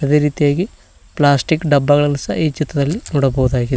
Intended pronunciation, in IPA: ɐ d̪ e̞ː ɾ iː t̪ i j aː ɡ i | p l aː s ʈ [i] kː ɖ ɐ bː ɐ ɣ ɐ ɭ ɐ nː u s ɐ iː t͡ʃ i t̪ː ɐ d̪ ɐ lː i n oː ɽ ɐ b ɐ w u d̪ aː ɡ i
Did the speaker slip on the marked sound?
no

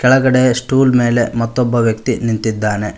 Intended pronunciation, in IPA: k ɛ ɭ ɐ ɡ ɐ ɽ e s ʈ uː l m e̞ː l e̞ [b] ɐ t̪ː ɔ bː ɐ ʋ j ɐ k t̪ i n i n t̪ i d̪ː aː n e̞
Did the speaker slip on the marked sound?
yes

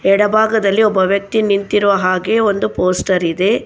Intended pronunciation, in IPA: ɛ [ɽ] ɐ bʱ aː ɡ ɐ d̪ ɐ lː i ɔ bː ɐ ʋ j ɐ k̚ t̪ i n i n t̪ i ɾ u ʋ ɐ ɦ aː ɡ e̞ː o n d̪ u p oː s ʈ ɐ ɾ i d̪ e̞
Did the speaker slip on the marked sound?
no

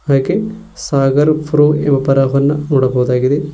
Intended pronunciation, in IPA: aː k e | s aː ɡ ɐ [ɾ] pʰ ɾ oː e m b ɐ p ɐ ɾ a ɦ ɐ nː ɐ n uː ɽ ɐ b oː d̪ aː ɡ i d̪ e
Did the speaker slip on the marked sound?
no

